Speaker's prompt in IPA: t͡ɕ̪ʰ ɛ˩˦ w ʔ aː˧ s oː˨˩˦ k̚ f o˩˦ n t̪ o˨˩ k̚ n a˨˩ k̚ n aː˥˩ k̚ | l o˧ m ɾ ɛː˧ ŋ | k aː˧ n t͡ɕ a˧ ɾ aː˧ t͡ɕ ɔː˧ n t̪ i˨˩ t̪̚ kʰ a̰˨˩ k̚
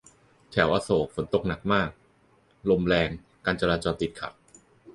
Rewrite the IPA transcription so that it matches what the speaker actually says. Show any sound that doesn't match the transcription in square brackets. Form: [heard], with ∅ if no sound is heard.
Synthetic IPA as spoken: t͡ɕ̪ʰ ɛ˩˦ w ʔ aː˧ s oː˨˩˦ k̚ f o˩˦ n t̪ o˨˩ k̚ n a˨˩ k̚ [m] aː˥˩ k̚ | l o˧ m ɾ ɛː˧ ŋ | k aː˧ n t͡ɕ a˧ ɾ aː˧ t͡ɕ ɔː˧ n t̪ i˨˩ t̪̚ kʰ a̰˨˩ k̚